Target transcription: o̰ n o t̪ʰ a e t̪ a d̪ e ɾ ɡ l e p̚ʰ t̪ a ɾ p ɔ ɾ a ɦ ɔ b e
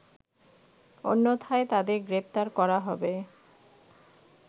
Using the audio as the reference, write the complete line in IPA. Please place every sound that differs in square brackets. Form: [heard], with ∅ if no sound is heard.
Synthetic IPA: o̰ [nː] o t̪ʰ a e t̪ a d̪ e ɾ ɡ [ɾ] e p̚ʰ t̪ a ɾ [k] ɔ ɾ a ɦ ɔ b e